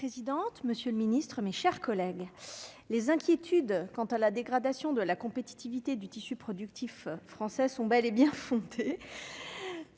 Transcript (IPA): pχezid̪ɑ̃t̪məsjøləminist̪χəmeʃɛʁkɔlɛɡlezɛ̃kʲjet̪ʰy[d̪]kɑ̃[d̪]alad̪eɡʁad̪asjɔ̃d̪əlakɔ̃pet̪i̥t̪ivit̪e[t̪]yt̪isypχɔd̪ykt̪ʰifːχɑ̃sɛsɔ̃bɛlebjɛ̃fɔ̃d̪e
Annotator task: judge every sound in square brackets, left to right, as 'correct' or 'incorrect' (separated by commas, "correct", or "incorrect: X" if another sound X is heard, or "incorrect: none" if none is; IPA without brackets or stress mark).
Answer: correct, incorrect: t̪, incorrect: d̪